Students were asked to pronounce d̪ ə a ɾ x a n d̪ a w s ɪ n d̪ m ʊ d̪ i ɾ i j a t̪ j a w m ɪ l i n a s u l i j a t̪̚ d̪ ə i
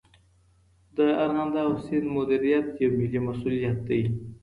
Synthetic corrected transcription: d̪ ə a ɾ ɣ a n d̪ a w s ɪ n d̪ m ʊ d̪ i ɾ i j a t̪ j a w m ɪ l i m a s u l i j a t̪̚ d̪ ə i